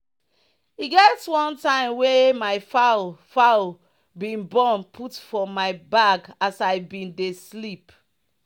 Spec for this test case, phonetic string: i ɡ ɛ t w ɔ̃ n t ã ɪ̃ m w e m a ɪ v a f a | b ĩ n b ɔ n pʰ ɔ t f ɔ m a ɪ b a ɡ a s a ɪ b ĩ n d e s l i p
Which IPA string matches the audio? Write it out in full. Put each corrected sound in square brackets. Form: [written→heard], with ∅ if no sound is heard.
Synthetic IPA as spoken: i ɡ ɛ t w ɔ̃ n t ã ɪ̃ m w e m a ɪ [v→f] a f a | b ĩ n b ɔ n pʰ [ɔ→u] t f ɔ m a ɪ b a ɡ a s a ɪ b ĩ n d e s l i p